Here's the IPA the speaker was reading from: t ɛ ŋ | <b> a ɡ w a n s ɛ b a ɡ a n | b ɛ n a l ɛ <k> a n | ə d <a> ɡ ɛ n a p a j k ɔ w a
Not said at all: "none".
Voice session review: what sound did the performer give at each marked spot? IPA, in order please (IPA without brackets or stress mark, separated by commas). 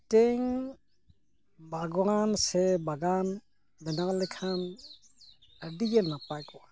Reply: b, kʰ, i